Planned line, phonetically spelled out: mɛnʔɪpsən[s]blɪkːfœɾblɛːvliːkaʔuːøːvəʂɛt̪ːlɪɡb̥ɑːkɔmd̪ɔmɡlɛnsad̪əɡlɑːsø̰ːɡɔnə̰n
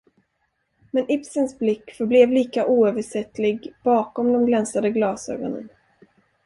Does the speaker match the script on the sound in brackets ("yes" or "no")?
yes